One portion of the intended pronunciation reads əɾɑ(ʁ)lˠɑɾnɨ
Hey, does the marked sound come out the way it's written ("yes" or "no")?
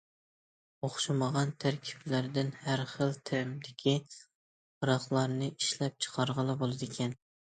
no